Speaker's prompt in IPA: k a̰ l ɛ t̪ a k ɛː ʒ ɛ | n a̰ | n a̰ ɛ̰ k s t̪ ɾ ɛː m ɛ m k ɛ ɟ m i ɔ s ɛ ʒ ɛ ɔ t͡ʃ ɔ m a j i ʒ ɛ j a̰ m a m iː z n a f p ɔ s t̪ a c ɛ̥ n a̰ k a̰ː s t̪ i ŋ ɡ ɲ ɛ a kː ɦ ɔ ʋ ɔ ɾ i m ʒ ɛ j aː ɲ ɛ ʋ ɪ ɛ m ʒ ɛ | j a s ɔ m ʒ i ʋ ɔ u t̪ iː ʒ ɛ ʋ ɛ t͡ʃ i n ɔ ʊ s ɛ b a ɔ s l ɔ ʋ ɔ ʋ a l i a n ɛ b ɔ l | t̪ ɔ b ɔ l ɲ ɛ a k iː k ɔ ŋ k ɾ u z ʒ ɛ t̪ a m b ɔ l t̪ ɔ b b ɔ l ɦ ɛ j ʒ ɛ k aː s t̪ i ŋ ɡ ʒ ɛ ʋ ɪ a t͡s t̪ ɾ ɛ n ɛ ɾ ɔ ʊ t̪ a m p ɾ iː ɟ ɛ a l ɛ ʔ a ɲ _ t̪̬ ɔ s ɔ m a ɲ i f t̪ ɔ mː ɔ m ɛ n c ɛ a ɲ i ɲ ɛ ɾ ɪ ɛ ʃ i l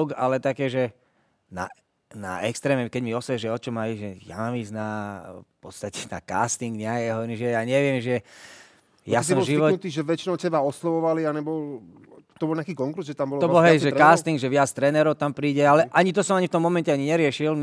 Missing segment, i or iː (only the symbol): i